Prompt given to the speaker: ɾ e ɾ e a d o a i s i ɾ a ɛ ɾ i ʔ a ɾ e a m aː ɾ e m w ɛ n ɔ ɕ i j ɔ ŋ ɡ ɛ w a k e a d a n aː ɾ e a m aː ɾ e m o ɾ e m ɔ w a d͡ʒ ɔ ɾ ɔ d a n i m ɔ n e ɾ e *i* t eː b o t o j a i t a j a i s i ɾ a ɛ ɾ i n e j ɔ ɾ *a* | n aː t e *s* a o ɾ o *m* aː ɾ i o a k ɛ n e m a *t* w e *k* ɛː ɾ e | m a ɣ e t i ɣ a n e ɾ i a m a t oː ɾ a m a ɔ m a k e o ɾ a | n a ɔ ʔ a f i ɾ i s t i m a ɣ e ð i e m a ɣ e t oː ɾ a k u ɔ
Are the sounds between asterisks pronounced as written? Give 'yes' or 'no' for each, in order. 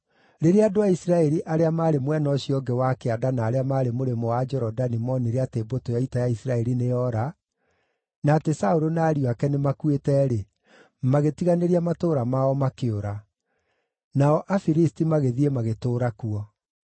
no, yes, yes, no, no, no

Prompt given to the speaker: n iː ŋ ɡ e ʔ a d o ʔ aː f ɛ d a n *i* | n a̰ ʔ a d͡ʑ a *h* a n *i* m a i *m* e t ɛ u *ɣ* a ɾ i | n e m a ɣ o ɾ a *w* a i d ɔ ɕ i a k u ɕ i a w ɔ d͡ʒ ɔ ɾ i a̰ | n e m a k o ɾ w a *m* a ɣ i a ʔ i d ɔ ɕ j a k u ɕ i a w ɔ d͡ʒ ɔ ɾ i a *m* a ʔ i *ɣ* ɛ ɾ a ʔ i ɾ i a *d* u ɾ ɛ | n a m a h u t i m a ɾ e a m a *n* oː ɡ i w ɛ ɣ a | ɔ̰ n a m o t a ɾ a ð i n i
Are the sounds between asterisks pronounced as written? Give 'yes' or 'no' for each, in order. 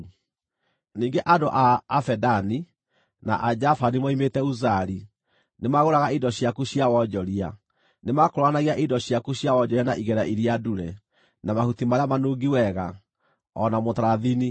yes, no, yes, yes, no, no, no, no, yes, yes, yes

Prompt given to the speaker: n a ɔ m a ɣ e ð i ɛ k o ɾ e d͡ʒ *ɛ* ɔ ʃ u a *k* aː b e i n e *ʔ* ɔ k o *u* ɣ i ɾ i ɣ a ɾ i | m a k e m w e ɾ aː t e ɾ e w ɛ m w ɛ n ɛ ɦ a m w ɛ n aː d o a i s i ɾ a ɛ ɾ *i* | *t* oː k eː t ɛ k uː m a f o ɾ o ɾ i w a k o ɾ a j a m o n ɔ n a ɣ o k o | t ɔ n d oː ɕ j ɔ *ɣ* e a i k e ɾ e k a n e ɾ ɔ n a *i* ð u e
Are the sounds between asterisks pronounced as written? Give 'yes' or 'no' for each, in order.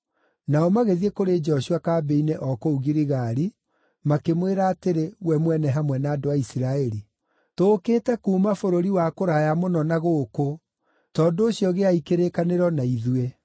yes, yes, yes, yes, yes, yes, yes, yes

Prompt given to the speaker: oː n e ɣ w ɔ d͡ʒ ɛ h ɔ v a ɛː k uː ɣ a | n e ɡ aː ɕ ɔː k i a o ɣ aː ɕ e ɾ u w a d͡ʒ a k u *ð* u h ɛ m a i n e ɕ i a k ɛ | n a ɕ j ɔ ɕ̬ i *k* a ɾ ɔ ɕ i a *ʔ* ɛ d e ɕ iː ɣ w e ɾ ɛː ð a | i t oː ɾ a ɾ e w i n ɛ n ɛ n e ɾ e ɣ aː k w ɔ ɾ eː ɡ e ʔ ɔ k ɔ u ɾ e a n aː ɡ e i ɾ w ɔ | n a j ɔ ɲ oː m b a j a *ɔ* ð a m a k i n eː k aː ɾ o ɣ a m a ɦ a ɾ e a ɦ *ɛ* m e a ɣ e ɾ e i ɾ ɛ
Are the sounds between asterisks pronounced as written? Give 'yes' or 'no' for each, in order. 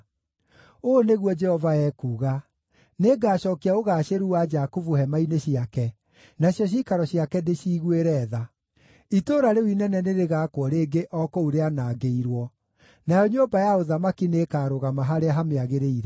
no, yes, no, no, no

